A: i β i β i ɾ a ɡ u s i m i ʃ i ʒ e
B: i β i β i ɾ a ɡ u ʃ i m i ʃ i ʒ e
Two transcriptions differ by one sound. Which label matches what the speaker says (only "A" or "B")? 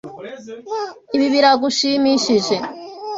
B